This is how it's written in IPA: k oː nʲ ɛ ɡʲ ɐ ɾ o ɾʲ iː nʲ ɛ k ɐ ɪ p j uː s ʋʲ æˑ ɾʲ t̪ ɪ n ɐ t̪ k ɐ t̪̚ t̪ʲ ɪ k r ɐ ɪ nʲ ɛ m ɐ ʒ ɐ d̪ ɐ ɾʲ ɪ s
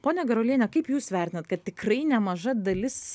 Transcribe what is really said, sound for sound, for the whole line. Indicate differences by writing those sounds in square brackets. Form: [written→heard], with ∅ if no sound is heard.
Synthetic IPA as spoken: [k→p] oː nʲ ɛ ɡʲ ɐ ɾ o [ɾʲ→lʲ] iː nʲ ɛ k ɐ ɪ p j uː s ʋʲ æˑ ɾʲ t̪ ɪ n ɐ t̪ k ɐ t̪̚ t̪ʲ ɪ k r ɐ ɪ nʲ ɛ m ɐ ʒ ɐ d̪ ɐ [ɾʲ→lʲ] ɪ s